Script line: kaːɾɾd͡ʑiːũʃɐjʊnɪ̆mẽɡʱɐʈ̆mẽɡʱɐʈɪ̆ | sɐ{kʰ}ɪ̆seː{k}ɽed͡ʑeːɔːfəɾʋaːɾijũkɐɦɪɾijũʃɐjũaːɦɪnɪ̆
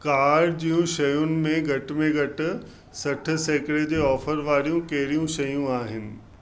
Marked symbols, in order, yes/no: no, yes

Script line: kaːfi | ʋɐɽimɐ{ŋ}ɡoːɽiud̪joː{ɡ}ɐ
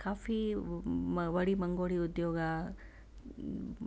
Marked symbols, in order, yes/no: yes, yes

